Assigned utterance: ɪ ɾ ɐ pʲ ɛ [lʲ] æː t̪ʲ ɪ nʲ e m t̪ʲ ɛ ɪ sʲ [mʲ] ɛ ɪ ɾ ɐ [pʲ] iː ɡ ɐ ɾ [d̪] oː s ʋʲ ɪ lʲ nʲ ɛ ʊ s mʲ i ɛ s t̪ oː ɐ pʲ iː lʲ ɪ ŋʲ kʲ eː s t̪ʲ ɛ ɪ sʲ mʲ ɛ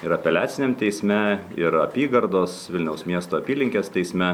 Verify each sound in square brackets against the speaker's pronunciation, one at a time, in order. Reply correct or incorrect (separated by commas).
correct, correct, correct, correct